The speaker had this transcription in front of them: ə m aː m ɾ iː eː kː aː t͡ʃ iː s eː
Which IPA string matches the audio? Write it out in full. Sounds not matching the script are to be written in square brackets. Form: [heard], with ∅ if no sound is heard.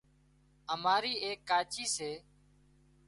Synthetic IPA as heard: ə m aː [∅] ɾ iː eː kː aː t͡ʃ iː s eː